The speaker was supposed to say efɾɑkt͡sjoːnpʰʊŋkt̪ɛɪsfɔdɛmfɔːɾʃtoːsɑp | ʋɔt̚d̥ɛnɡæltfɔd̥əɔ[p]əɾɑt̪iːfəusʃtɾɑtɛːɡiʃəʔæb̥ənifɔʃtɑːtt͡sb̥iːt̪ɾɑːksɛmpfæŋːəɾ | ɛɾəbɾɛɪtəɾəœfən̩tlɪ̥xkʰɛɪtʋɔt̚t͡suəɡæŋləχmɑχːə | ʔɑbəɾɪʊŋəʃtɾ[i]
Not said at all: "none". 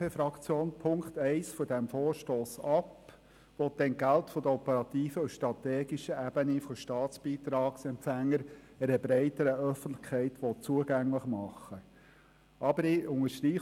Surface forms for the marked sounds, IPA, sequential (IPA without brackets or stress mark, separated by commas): p, iː